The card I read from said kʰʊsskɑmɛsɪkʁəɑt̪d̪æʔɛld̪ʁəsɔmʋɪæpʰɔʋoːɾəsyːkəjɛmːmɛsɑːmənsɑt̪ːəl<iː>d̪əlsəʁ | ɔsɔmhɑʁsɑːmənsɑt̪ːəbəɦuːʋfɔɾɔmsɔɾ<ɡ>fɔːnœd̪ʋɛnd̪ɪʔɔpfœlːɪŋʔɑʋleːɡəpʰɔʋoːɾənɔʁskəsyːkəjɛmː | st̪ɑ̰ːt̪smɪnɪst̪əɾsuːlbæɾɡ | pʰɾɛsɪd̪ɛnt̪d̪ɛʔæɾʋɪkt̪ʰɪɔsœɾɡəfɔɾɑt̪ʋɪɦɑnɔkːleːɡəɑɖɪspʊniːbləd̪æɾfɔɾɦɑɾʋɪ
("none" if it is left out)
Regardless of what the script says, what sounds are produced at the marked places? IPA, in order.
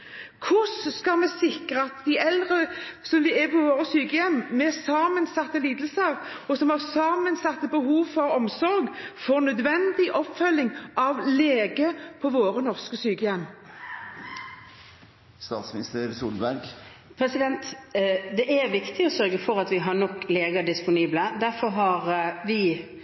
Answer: iː, ɡ

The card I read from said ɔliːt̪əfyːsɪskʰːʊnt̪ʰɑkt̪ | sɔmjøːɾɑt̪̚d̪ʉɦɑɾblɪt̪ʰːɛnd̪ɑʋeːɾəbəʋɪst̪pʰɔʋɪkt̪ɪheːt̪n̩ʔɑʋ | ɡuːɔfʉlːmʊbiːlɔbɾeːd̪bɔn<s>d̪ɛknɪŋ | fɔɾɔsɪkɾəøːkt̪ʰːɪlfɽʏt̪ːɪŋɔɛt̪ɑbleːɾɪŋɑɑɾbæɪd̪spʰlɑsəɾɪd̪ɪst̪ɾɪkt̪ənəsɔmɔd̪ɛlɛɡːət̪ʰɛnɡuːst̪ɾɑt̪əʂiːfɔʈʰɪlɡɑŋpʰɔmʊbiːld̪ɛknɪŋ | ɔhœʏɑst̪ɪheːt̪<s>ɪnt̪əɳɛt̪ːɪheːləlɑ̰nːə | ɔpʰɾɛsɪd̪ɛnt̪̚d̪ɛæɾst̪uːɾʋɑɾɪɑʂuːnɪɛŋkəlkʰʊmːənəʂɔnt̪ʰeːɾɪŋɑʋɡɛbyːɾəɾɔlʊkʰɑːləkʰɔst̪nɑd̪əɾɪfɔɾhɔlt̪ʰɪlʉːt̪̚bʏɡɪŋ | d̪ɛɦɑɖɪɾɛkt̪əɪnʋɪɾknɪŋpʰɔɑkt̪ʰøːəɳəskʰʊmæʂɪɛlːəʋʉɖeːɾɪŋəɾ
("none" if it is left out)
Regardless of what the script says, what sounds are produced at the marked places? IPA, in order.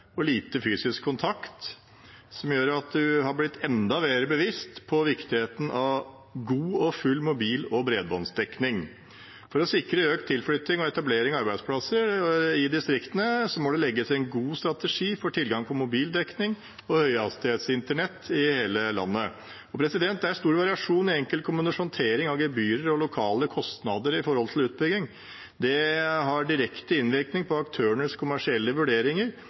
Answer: s, s

